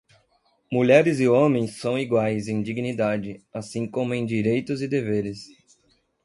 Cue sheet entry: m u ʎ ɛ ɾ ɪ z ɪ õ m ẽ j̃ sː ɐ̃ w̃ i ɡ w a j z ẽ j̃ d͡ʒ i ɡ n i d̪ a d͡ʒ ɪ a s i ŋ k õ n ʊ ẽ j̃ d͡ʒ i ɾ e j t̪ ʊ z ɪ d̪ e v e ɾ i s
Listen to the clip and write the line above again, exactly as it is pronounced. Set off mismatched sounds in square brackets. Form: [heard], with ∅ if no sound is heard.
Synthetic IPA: m u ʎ ɛ ɾ ɪ z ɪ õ m ẽ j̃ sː ɐ̃ w̃ i ɡ w a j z ẽ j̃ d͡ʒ i ɡ n i d̪ a d͡ʒ ɪ a s [ĩ] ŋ k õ [m] ʊ ẽ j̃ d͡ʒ i ɾ e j t̪ ʊ z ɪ d̪ e v e ɾ [ɪ] s